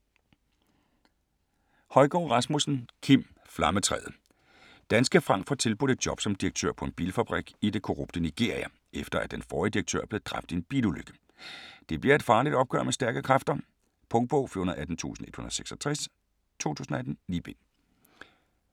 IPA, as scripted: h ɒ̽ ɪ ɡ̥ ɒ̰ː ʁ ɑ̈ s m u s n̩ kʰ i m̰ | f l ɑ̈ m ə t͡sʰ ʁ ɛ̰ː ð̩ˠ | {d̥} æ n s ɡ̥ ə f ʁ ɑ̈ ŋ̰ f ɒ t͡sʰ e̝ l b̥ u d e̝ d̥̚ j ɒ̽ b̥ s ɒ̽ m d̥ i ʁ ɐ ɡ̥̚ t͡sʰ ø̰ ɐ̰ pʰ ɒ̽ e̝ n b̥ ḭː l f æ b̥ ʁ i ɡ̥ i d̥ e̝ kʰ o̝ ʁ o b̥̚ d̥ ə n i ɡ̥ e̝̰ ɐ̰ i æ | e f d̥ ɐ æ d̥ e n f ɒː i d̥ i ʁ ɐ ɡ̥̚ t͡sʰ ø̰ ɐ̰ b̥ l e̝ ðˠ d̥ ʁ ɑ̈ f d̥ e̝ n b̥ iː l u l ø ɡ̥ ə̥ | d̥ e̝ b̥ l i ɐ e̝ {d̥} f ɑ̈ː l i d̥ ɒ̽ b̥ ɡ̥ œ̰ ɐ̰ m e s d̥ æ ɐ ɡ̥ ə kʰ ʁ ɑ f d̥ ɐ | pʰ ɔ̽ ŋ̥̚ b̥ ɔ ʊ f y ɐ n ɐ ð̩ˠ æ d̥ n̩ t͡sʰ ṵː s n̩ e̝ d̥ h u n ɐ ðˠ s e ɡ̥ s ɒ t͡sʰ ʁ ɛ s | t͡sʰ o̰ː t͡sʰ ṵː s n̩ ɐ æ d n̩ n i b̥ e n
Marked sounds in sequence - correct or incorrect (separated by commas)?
correct, correct